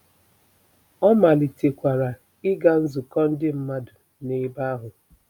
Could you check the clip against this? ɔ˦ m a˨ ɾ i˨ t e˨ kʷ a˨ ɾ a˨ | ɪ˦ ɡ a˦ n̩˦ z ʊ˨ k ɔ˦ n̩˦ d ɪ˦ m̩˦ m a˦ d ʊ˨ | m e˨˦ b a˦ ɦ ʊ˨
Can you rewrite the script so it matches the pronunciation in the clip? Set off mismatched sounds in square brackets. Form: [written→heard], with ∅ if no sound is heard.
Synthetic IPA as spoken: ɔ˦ m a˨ [ɾ→l] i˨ t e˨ kʷ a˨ ɾ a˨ | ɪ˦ ɡ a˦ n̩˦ z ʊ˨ k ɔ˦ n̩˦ d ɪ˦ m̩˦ m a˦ d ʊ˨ | [m→n] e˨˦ b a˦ ɦ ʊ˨

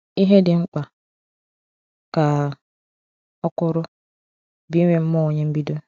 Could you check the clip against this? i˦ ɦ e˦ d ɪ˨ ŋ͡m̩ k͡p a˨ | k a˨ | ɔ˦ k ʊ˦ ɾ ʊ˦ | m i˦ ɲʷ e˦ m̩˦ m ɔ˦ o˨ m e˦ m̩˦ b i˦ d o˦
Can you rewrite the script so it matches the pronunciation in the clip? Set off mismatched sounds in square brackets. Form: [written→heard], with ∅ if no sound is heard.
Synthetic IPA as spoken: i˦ ɦ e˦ d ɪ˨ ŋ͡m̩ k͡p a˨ | k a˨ | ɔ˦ k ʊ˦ ɾ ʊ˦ | [m→b] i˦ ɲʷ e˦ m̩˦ m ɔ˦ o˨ [m→ɲ] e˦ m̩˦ b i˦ d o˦

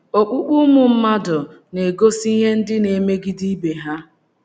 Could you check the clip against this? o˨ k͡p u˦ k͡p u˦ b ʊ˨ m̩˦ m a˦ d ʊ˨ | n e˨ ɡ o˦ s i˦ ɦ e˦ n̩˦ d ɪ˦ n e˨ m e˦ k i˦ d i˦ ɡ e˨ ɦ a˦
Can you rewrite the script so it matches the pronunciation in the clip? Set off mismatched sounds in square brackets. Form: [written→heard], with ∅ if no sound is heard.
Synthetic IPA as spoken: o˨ k͡p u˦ k͡p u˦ [b→m] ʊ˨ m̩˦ m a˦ d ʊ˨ | n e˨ ɡ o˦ s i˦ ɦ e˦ n̩˦ d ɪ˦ n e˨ m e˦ [k→ɡ] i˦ d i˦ [ɡ→b] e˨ ɦ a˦

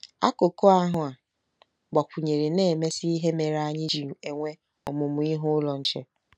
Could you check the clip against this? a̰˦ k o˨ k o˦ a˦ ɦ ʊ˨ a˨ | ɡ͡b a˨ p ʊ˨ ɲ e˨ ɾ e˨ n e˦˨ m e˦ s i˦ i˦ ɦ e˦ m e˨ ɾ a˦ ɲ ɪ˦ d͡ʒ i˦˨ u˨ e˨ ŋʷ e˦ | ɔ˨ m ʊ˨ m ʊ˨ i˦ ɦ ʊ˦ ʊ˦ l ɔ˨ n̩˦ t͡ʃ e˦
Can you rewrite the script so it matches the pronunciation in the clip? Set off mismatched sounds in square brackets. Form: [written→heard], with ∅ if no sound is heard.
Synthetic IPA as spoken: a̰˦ k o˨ k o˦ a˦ ɦ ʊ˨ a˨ | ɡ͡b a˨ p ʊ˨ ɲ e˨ ɾ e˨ n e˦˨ m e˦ s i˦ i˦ ɦ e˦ m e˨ ɾ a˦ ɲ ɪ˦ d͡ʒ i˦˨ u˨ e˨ ŋʷ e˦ | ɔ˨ m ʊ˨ m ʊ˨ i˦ ɦ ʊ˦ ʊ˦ l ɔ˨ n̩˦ t͡ʃ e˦

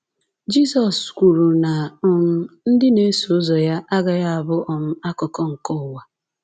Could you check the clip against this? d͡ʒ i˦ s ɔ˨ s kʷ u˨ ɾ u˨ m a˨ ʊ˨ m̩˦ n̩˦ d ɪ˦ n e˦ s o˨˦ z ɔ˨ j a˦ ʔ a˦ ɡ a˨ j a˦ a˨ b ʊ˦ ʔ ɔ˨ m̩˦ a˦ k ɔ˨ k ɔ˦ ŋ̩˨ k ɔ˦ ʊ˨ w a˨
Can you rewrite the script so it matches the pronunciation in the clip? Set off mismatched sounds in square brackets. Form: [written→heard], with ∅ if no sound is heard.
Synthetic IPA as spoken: d͡ʒ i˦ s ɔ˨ s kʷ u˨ ɾ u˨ [m→n] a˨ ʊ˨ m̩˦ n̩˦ d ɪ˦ n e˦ s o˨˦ z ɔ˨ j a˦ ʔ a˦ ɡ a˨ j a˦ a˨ b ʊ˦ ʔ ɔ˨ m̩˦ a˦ k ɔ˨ k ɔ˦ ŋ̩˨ k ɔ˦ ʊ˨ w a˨

